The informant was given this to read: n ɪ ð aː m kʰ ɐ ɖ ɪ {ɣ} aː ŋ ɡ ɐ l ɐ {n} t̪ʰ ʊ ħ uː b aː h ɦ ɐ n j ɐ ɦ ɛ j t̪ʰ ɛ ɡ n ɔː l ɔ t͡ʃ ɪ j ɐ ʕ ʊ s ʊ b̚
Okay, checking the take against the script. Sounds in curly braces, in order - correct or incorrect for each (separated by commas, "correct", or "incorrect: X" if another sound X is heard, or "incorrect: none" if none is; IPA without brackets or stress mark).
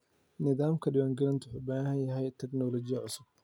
incorrect: w, correct